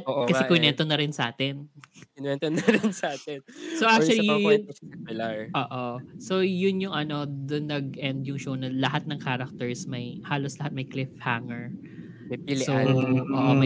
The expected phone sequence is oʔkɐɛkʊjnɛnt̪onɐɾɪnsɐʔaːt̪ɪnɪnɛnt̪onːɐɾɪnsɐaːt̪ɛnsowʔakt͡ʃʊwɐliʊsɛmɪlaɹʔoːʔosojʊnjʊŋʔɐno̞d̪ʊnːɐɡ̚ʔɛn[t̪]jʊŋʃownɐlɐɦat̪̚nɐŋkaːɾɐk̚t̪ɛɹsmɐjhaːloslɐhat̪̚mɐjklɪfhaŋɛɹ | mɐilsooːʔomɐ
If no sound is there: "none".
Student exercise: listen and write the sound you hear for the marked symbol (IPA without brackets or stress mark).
d̪